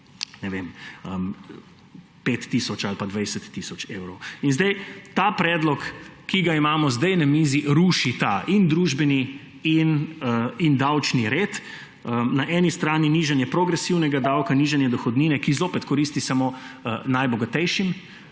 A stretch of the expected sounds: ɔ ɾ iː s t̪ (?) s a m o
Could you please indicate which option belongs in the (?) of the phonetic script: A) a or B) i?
B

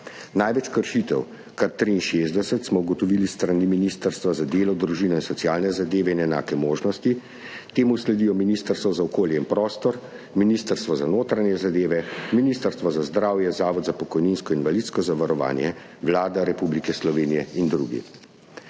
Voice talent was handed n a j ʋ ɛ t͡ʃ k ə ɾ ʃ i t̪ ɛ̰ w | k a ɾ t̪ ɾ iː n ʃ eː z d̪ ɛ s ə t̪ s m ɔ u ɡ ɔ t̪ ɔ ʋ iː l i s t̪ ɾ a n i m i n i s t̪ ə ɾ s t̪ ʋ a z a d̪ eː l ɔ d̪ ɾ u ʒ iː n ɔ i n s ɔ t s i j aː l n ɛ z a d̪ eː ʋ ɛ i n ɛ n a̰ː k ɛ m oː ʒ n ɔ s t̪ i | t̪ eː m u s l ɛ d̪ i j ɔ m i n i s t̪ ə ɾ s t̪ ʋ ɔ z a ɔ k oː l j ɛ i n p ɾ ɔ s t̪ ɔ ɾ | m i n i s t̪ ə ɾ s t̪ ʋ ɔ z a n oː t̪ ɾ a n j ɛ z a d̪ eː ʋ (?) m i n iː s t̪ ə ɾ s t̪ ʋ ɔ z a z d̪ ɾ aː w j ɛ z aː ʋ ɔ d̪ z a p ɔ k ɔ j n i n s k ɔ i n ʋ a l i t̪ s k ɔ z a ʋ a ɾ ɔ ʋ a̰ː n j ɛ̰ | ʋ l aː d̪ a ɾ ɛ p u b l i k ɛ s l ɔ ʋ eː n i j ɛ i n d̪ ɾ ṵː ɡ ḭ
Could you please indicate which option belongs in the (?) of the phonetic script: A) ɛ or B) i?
A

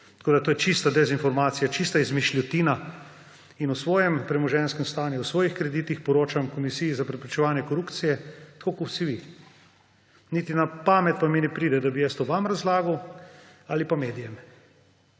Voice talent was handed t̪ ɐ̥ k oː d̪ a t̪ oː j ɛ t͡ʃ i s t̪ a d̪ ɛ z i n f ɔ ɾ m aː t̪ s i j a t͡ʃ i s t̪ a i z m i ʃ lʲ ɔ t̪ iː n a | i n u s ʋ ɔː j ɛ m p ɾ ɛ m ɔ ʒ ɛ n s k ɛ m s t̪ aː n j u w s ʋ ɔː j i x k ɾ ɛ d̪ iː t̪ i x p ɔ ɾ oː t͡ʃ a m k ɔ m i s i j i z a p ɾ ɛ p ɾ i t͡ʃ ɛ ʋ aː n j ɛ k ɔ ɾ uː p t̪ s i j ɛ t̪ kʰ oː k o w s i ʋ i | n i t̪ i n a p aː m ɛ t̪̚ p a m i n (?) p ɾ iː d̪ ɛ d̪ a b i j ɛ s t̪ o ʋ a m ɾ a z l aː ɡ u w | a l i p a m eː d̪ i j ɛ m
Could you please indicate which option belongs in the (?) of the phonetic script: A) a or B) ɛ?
B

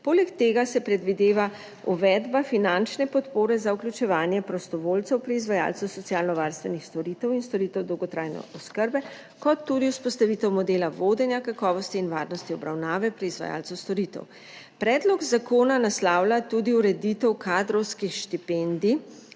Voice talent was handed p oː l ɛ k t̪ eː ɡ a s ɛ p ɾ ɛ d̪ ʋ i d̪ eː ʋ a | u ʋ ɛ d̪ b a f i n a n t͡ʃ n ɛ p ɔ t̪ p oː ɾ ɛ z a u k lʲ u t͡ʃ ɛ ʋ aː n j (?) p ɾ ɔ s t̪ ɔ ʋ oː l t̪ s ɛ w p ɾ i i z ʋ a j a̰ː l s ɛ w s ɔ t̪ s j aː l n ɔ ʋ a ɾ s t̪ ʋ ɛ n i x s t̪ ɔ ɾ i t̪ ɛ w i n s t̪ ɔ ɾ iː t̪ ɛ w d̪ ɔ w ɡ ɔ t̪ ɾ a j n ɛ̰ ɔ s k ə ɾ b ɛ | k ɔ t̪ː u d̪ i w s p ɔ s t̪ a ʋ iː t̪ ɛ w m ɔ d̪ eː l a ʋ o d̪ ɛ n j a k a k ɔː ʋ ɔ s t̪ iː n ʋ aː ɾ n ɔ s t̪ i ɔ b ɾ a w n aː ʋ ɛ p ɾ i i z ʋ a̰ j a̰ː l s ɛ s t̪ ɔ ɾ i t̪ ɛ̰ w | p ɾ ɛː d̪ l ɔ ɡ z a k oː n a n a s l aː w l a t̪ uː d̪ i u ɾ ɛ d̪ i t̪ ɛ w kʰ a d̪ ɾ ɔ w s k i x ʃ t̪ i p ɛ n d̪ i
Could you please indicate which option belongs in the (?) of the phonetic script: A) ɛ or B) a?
A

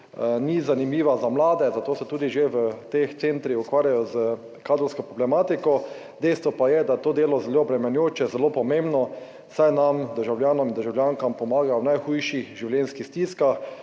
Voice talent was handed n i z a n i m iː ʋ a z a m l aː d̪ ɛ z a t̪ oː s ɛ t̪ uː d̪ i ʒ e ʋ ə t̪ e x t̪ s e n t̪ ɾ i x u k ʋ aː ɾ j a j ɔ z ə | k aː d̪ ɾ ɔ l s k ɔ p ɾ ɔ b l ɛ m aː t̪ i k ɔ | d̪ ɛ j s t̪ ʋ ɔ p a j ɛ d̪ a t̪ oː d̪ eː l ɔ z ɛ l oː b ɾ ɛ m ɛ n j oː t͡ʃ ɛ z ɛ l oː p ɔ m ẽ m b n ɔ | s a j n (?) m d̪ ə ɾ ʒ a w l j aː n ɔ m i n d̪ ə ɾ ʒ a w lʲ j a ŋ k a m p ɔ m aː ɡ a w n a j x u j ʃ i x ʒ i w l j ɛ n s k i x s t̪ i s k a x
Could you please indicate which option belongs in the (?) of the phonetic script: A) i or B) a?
B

